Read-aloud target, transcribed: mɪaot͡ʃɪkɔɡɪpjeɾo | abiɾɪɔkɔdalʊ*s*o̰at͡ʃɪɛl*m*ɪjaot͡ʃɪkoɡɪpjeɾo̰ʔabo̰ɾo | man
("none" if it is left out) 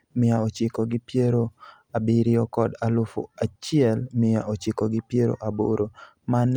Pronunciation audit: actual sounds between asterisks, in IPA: f, m

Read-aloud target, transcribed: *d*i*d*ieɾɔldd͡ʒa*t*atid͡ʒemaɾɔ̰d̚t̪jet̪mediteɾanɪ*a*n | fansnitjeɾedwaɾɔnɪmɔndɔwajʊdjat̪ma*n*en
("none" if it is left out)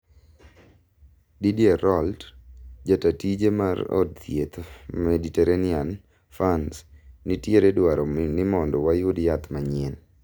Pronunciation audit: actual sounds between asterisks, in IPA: d, d, t, a, ɲ

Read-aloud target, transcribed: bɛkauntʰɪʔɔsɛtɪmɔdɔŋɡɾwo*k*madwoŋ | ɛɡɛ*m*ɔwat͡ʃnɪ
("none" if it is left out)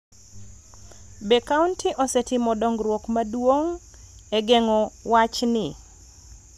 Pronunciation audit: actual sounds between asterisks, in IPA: k, ŋ

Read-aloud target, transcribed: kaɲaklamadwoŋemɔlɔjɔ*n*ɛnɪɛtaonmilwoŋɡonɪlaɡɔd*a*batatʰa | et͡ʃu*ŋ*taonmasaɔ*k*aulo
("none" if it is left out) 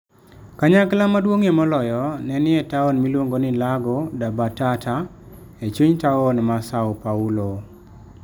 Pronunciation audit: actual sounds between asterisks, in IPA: n, a, ɲ, p

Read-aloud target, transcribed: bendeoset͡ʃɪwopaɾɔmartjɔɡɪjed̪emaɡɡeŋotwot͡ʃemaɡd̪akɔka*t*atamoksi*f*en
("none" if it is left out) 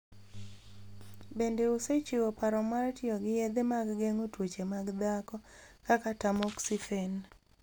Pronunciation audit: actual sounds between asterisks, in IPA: k, f

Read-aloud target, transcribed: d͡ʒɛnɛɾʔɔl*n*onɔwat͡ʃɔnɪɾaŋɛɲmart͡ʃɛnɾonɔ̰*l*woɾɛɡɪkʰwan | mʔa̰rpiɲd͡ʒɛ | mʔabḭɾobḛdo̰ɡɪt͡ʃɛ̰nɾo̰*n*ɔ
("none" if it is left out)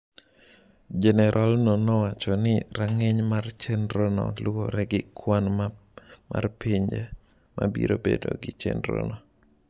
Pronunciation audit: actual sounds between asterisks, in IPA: n, l, n

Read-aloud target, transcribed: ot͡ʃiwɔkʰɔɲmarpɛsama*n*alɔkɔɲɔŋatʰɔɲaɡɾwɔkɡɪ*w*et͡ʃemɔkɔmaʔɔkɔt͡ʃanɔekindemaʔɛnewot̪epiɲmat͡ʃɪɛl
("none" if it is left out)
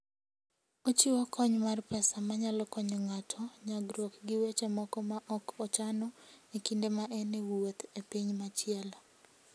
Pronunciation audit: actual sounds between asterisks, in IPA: ɲ, w

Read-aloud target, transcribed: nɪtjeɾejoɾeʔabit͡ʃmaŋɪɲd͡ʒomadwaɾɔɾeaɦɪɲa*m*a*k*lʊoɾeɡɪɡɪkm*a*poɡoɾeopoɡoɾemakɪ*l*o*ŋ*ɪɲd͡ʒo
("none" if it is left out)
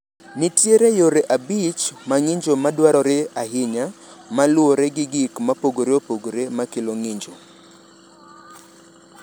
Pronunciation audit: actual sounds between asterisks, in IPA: m, none, a, l, ŋ

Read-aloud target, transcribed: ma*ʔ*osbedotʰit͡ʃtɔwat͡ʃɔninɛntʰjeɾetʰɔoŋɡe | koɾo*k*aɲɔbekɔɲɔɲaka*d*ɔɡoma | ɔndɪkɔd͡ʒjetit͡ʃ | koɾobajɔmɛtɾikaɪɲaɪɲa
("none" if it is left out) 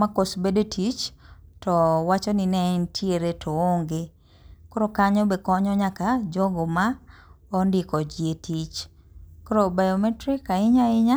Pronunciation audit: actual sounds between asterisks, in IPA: k, k, d͡ʒ

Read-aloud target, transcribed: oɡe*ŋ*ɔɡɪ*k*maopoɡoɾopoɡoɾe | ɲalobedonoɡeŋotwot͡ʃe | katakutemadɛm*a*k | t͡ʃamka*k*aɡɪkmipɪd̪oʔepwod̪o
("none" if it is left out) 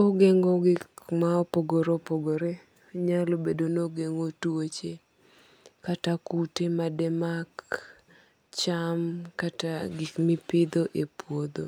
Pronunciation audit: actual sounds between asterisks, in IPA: ŋ, k, a, t

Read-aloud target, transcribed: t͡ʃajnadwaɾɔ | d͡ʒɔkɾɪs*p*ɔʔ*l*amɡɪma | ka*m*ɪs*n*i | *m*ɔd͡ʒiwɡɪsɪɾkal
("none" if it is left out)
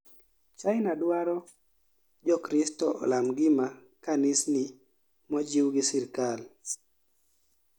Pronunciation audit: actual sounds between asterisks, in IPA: t, l, n, n, m

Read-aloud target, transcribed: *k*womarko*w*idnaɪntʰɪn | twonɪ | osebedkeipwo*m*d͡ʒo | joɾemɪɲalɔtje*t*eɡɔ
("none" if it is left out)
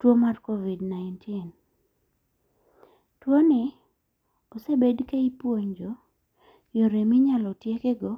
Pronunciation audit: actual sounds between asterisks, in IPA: t, v, ɲ, k

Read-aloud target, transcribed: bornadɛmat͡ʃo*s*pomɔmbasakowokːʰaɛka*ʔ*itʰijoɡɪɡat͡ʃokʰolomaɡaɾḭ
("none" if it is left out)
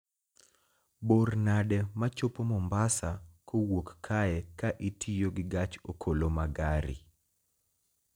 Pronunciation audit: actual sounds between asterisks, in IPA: none, ʔ

